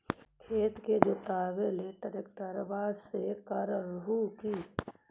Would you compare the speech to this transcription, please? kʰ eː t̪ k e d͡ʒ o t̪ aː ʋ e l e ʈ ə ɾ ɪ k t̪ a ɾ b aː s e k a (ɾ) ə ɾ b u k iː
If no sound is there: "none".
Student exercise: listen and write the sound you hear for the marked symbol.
ɾ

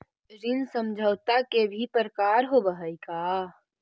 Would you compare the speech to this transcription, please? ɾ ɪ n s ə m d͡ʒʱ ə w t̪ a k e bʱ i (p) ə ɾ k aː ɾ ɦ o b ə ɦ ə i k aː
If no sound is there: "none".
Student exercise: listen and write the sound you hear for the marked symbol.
p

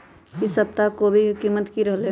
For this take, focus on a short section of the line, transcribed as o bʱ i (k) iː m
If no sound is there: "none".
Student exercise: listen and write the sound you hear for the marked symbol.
k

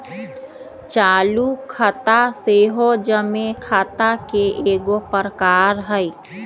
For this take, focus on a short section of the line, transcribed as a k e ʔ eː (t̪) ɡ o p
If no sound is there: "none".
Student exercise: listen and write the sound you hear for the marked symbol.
none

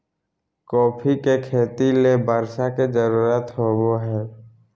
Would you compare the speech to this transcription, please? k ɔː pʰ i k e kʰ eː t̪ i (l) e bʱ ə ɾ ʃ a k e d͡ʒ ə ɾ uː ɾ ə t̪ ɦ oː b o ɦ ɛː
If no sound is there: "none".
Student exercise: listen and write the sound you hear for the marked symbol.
l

